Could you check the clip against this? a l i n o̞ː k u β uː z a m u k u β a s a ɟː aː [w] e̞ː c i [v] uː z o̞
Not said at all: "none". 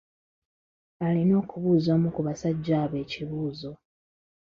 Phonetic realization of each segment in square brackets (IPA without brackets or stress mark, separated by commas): β, β